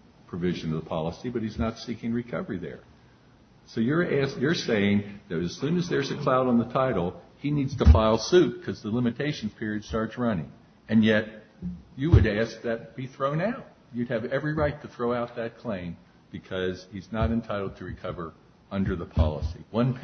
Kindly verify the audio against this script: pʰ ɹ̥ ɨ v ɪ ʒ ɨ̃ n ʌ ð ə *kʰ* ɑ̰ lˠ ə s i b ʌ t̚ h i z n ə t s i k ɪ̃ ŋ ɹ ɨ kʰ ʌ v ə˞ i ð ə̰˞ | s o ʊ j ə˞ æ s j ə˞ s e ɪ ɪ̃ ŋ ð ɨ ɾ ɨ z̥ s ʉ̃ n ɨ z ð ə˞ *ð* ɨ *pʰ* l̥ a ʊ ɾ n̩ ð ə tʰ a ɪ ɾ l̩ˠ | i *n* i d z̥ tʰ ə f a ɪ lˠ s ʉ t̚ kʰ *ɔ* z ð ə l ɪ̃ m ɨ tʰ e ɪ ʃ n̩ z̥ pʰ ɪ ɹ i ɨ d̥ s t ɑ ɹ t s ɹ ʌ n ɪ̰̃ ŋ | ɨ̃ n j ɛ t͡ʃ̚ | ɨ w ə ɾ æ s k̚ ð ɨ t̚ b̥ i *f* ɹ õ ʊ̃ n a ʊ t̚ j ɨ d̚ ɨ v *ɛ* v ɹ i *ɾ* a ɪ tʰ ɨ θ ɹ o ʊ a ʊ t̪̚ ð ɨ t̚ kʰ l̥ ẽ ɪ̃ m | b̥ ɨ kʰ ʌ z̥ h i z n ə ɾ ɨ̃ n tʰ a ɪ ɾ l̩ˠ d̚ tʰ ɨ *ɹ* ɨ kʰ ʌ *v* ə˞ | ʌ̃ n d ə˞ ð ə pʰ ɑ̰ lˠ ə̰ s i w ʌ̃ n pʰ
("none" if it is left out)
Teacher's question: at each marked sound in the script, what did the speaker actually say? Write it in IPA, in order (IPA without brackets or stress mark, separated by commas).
pʰ, z, kʰ, n, ʌ, θ, ɛ, ɹ, ɹ, v